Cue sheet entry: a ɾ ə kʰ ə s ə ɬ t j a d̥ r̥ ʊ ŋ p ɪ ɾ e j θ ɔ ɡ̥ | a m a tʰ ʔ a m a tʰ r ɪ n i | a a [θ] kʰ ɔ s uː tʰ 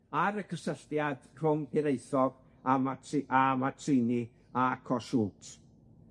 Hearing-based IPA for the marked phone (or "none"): none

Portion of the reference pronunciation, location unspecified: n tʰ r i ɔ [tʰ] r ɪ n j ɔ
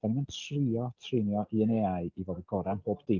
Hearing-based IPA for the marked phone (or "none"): tʰ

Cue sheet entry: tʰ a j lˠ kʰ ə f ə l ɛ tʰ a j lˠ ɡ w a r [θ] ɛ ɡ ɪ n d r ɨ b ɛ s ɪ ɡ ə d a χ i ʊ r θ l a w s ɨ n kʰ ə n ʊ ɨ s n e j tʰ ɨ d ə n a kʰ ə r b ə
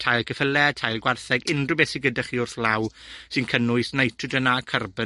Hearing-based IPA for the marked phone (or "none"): θ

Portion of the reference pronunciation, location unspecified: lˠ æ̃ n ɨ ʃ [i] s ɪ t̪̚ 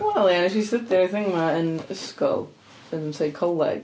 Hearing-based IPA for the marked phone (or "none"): i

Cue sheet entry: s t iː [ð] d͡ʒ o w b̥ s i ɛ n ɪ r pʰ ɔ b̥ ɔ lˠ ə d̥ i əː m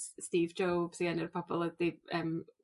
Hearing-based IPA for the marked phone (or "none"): v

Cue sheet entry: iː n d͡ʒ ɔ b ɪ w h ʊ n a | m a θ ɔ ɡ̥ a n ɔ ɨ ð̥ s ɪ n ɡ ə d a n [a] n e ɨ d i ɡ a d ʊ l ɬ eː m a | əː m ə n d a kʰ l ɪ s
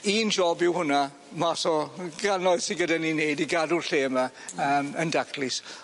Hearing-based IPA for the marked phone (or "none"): i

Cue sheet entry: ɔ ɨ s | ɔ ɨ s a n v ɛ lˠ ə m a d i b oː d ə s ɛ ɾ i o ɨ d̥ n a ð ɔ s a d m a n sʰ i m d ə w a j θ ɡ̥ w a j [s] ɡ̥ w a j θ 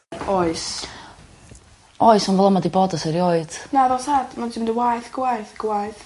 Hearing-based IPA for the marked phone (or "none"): θ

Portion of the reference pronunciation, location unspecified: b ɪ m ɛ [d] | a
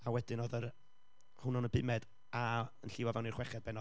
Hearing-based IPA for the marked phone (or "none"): d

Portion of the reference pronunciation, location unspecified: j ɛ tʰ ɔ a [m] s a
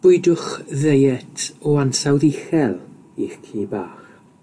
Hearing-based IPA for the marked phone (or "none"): n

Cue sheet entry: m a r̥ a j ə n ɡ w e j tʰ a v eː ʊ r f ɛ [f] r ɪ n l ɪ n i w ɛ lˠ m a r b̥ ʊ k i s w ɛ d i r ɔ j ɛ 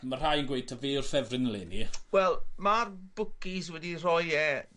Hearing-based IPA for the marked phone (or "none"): v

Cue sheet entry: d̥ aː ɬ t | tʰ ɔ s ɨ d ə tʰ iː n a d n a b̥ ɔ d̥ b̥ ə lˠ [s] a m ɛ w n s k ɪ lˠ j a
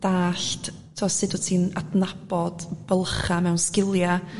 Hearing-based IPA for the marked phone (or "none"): χ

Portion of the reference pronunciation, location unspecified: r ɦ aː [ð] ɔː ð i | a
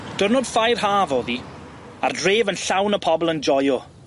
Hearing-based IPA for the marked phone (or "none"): v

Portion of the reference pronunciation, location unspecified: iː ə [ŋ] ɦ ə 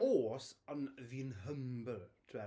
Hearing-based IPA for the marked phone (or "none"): n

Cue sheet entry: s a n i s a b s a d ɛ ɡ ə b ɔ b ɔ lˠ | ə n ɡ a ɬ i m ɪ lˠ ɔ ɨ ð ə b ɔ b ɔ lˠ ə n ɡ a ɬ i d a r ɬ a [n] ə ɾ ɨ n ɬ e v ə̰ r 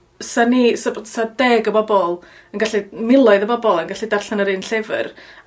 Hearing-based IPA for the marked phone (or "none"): n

